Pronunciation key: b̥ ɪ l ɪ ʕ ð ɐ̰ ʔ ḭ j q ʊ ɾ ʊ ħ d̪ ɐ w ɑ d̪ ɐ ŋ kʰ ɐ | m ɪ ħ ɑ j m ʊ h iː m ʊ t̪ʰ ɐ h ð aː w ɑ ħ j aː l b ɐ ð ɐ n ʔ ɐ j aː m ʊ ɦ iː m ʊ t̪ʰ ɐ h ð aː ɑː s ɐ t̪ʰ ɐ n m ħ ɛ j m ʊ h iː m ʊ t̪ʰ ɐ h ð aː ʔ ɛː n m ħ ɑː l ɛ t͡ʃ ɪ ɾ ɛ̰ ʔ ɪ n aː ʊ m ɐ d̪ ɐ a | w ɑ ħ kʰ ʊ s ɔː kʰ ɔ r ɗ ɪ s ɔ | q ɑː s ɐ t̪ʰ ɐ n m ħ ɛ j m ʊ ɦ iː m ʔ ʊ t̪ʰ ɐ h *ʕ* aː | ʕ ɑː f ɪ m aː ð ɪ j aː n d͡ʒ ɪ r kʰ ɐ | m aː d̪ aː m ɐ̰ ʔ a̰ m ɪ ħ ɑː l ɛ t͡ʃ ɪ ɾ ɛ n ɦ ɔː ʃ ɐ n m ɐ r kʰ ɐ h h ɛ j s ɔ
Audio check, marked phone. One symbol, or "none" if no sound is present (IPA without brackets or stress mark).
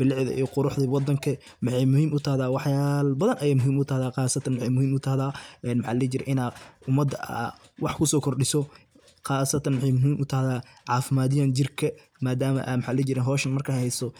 ð